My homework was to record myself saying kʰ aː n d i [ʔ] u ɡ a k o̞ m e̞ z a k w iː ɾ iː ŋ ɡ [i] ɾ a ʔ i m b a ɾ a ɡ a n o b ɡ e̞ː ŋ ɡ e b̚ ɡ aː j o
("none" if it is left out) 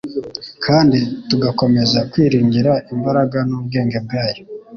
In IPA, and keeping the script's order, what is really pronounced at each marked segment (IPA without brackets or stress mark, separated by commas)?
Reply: t, i